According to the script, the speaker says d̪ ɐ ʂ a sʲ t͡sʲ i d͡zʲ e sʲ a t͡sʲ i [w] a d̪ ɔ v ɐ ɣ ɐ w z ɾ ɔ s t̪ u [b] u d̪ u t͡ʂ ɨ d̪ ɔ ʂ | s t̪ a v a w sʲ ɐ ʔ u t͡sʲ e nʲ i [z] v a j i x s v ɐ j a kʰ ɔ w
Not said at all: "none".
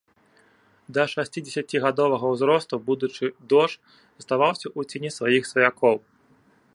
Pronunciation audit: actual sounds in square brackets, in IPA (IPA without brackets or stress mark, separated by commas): ɣ, b, s